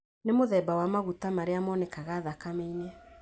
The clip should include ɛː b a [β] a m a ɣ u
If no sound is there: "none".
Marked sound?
w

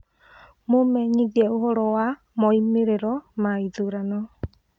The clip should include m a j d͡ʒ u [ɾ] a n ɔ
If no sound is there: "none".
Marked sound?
ɾ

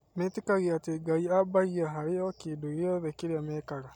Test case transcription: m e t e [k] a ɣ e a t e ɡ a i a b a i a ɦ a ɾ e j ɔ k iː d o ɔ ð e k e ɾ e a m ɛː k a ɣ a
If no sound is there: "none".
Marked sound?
k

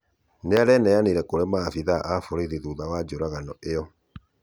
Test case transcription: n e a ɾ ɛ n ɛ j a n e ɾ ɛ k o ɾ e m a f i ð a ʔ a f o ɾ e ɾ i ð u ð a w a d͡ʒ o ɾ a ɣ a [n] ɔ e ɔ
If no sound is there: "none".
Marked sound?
n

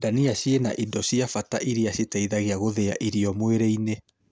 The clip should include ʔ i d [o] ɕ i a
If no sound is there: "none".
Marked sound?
ɔ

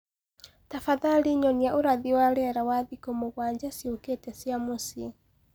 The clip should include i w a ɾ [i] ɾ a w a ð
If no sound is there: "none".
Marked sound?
ɛ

